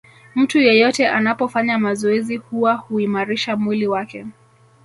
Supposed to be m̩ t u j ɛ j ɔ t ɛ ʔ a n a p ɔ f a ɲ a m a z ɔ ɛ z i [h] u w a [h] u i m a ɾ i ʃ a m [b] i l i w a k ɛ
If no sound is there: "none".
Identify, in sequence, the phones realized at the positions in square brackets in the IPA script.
h, h, w

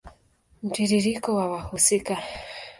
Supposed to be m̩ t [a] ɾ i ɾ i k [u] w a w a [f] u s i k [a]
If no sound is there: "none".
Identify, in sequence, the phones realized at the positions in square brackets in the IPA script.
i, ɔ, h, a

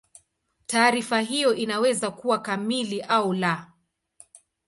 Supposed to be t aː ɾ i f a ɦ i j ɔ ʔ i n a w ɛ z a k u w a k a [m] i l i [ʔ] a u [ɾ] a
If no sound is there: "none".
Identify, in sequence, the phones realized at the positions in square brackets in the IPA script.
m, ʔ, l

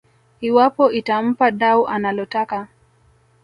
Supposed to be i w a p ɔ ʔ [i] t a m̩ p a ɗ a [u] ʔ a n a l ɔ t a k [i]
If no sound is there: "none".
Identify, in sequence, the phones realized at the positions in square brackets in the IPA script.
i, u, a

